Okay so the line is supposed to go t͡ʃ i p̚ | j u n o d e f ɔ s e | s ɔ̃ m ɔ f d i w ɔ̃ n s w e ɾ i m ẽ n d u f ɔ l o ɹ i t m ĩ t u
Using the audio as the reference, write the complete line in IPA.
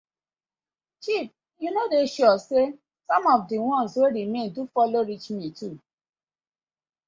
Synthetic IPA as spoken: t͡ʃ i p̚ | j u n o d e ʃ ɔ s e | s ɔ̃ m ɔ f d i w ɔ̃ n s w e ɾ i m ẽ n d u f ɔ l o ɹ i t͡ʃ m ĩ t u